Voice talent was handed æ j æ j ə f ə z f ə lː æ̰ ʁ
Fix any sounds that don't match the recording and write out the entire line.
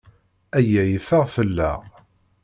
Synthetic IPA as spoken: æ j æ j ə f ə ʁ f ə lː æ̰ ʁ